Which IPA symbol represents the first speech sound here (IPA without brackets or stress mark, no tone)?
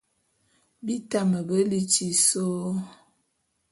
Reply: b